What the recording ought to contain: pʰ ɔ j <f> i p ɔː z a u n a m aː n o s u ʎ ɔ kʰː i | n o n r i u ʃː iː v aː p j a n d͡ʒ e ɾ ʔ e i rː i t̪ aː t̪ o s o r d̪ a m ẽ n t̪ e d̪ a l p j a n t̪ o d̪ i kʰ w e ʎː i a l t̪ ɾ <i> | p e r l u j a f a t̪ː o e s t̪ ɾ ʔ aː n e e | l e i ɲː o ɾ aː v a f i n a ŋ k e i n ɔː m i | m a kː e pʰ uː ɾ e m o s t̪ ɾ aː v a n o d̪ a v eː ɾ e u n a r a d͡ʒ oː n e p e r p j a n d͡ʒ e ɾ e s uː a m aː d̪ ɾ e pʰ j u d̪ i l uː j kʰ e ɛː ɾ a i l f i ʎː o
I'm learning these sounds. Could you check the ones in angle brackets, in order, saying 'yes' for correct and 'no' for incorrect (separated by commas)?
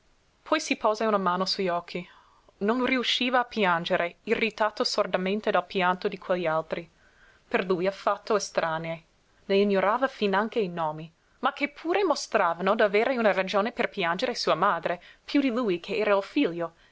no, yes